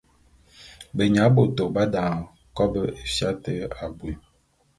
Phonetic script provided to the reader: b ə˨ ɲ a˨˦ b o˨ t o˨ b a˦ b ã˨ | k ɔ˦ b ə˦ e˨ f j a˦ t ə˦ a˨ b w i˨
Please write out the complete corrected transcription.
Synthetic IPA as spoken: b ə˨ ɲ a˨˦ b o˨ t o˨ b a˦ d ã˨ | k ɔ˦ b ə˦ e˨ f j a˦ t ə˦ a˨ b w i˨

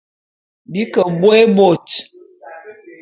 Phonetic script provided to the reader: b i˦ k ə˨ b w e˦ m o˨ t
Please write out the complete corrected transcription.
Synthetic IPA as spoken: b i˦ k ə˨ b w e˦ b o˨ t

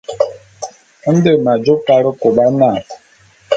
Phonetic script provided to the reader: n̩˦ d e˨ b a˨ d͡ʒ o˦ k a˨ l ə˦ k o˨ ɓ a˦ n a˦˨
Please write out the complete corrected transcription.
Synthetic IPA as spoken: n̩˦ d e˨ m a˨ d͡ʒ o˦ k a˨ ɾ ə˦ k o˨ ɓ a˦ n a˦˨

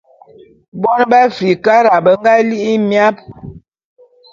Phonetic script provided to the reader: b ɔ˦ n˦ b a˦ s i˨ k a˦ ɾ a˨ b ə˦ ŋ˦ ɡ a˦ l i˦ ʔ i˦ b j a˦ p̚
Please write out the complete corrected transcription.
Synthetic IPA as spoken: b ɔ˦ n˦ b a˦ f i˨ k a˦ ɾ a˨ b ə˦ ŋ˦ ɡ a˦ l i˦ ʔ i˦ m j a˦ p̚

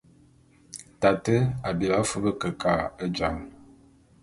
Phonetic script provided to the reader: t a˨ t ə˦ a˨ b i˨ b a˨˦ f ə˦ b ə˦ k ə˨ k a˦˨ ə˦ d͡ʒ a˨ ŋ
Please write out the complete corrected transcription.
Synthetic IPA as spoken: t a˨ t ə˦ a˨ b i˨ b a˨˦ f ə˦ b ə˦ k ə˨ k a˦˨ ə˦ d͡ʒ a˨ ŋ

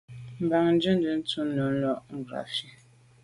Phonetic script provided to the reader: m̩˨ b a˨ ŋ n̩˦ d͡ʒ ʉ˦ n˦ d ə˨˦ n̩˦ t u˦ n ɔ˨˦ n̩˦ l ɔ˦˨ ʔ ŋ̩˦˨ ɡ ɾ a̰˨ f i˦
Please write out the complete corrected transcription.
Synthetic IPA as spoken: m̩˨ b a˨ ŋ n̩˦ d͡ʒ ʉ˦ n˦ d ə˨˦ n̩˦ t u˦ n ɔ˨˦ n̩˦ l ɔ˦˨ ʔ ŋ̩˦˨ ɡ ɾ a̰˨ f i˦

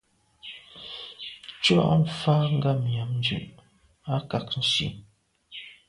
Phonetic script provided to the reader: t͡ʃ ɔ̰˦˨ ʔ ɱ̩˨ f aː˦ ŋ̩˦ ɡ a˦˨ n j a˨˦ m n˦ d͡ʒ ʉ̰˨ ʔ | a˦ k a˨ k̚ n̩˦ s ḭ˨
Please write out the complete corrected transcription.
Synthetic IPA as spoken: t͡ʃ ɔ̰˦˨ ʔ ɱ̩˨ f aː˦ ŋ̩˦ ɡ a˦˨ m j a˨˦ m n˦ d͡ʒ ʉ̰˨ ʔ | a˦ k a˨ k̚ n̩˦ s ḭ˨

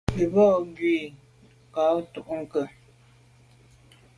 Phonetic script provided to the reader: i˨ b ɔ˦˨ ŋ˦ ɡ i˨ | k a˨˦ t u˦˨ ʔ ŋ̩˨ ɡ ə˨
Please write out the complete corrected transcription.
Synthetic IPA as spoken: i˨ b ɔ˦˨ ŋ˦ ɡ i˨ | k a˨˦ t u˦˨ ʔ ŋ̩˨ k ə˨

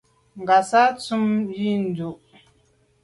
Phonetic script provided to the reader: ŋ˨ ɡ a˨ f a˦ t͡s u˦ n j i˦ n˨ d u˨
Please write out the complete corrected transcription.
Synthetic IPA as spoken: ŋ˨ ɡ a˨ s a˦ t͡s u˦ m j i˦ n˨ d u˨

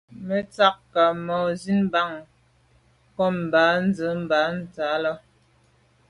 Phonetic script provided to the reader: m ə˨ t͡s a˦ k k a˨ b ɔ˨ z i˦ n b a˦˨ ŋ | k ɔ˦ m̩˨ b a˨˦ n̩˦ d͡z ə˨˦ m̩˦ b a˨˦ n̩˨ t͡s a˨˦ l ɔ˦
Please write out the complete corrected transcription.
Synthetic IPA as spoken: m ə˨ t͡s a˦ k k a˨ m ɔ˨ z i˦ n b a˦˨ ŋ | k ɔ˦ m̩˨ b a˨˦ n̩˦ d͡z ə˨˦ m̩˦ b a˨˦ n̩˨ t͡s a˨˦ l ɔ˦

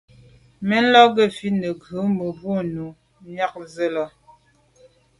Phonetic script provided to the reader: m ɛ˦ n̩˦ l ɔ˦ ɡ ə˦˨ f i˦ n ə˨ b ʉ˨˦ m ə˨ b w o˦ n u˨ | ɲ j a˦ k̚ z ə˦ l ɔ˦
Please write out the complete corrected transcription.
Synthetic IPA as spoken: m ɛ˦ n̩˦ l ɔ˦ ɡ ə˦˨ f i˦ n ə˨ ɡ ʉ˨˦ m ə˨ b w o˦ n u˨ | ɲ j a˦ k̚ z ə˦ l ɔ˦

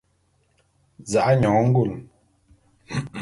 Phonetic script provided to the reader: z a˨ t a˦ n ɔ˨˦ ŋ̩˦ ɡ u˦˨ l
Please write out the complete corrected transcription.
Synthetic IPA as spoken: z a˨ ʔ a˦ ɲ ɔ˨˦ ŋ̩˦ ɡ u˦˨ l

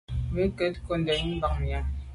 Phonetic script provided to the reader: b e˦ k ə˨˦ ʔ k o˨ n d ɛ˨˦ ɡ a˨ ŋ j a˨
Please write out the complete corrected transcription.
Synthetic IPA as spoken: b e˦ k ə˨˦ t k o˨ n d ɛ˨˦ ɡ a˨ m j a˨

